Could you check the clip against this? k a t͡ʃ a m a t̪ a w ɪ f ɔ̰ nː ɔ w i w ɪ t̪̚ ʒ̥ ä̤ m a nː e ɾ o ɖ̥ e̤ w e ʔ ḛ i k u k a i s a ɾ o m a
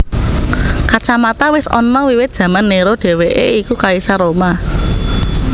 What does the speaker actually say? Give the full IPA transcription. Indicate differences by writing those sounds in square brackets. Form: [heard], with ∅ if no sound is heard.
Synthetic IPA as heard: k a t͡ʃ a m a t̪ a w ɪ [s] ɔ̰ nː ɔ w i w ɪ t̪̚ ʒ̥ ä̤ m a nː e ɾ o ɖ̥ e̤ w e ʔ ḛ i k u k a i s a ɾ o m a